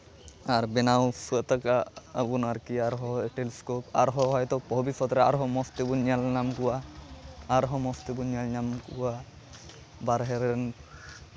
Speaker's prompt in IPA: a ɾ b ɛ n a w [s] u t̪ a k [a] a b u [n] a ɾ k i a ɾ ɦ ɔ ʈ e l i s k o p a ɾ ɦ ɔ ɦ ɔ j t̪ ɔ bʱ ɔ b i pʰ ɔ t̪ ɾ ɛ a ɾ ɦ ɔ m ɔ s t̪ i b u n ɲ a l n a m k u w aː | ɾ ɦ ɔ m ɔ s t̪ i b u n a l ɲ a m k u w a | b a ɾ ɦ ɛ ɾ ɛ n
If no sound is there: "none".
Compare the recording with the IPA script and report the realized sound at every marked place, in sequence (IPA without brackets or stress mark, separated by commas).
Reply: s, a, n